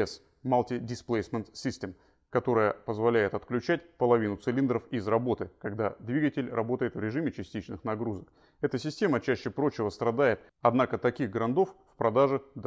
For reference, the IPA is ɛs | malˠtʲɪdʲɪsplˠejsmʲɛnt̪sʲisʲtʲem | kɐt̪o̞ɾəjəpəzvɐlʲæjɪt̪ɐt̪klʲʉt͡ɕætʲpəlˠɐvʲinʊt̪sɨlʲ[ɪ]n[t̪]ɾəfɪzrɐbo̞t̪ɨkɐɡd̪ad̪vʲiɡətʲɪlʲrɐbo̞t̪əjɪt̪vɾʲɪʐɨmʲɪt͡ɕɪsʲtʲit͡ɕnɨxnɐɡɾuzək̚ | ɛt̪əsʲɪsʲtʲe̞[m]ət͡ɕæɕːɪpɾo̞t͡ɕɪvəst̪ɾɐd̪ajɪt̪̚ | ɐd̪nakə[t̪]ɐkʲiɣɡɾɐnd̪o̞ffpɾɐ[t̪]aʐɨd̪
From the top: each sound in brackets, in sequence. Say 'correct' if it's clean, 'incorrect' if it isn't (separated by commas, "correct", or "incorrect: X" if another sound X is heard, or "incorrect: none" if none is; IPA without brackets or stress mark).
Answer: incorrect: i, incorrect: d̪, correct, correct, incorrect: d̪